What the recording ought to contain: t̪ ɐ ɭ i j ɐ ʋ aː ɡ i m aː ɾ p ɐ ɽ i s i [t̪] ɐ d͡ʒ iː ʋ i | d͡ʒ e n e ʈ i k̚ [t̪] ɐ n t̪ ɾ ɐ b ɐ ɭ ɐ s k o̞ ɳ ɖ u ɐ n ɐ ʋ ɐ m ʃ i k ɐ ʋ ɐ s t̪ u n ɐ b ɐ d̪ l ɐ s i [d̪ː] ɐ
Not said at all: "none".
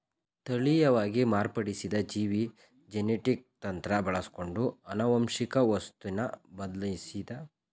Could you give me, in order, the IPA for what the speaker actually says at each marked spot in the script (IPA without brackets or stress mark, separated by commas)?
d̪, t̪, d̪